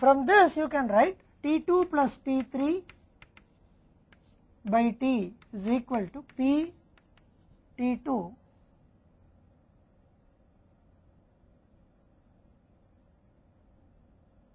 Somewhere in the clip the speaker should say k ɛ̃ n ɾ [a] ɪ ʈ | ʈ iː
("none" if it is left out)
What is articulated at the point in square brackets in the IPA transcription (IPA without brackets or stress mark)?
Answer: a